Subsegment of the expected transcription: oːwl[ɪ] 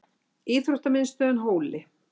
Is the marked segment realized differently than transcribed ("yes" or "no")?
no